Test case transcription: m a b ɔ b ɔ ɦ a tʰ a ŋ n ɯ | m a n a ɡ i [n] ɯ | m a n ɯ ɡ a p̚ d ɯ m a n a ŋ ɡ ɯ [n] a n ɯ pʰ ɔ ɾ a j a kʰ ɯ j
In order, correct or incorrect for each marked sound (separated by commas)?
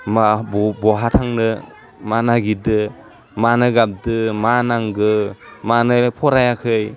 incorrect, incorrect